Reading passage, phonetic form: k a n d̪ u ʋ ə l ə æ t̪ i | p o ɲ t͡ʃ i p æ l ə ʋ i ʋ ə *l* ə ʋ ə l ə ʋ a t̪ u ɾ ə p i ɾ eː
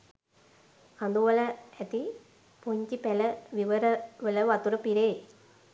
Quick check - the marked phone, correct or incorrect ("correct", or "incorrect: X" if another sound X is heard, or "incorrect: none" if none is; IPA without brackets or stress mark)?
incorrect: ɾ